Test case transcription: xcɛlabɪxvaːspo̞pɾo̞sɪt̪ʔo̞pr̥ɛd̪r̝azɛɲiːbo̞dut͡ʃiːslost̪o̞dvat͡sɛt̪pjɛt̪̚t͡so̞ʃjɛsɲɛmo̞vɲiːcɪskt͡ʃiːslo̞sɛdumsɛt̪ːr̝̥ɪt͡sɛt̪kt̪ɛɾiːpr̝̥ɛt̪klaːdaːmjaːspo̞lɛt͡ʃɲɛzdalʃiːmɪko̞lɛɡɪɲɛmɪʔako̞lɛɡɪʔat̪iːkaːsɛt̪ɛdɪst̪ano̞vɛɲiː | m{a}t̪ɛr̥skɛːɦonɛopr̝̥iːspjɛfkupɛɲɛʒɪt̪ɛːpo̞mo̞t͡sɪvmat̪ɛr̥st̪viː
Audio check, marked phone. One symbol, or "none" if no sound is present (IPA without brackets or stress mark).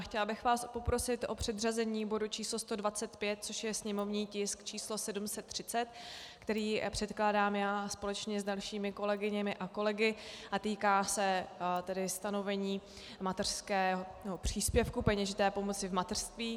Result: a